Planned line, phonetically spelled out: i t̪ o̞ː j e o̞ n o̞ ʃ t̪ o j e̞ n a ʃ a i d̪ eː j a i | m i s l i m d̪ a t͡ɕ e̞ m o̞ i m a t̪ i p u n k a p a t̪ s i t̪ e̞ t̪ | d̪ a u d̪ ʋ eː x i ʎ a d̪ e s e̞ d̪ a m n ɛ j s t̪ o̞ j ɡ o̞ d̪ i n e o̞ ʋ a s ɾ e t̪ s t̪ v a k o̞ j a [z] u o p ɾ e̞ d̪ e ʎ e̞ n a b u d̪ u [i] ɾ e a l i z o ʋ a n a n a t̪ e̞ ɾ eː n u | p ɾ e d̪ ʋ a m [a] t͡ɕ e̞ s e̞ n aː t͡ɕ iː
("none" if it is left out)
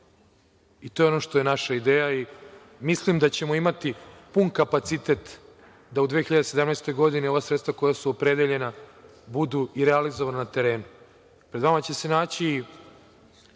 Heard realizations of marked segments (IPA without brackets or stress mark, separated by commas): s, i, a